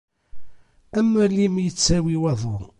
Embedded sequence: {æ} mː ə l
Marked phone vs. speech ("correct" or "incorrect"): correct